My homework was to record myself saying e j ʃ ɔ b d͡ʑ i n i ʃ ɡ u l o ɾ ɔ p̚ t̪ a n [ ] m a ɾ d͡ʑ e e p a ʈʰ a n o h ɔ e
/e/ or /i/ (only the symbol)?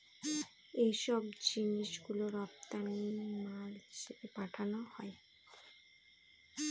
i